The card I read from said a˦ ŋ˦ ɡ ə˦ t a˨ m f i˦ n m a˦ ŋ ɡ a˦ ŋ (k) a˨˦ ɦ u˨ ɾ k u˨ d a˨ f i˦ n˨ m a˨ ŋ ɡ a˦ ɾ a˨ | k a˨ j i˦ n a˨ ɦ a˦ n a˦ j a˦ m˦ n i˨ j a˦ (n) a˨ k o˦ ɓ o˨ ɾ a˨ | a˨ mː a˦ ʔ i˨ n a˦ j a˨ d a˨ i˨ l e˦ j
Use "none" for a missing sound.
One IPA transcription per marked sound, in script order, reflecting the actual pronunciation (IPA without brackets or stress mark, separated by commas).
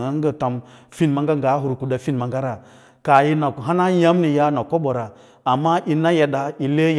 ɡ, n